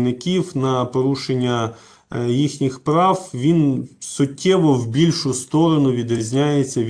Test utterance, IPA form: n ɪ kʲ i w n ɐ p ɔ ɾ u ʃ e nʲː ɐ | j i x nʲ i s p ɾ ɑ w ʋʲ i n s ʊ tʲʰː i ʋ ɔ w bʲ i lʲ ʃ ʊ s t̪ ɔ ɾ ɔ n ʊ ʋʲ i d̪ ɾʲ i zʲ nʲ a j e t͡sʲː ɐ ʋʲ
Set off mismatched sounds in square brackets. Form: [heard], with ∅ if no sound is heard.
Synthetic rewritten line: n ɪ kʲ i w n ɐ p ɔ ɾ u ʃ e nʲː ɐ | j i x nʲ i [x] p ɾ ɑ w ʋʲ i n s ʊ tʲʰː [ɛ] ʋ ɔ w bʲ i lʲ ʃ ʊ s t̪ ɔ ɾ ɔ n ʊ ʋʲ i d̪ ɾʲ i zʲ nʲ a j e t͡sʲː ɐ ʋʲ